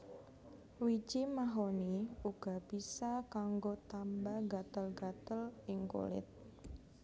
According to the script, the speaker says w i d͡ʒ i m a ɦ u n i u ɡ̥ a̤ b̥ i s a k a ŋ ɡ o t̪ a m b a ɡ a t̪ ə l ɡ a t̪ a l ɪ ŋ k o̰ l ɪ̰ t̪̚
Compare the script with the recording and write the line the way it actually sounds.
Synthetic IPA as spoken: w i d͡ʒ i m a ɦ o n i u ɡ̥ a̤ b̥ i s a k a ŋ ɡ o t̪ a m b a ɡ a t̪ ə l ɡ a t̪ ə l ɪ ŋ k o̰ l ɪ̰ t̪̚